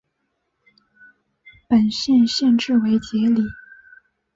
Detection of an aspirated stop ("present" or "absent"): absent